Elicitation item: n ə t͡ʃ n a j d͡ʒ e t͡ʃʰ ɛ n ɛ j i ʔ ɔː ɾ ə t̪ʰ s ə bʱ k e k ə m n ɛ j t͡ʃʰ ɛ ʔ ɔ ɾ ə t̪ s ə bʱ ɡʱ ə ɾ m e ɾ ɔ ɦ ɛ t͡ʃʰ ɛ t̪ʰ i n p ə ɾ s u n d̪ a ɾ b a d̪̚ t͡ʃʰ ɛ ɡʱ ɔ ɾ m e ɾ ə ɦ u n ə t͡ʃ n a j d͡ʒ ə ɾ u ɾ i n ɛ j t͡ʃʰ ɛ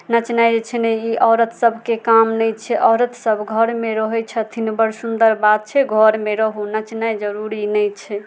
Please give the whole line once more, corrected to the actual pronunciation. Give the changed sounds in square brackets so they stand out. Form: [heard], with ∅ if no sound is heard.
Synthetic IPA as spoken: n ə t͡ʃ n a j d͡ʒ e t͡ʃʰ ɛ n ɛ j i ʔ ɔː ɾ ə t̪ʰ s ə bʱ k e k [a] m n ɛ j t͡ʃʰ ɛ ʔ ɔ ɾ ə t̪ s ə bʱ ɡʱ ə ɾ m e ɾ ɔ ɦ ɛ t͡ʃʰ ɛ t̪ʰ i n [b] ə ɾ s u n d̪ [ə] ɾ b a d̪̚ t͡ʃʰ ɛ ɡʱ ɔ ɾ m e ɾ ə ɦ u n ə t͡ʃ n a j d͡ʒ ə ɾ u ɾ i n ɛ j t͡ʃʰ ɛ